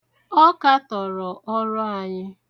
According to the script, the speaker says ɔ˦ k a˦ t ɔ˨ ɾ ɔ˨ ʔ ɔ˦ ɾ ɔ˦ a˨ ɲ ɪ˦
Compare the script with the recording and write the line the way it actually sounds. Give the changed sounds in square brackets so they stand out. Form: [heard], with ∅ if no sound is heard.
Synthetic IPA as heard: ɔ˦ k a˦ t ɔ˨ ɾ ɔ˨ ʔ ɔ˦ ɾ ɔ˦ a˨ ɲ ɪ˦